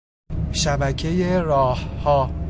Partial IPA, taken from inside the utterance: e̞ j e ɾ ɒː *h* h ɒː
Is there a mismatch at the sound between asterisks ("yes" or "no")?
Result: no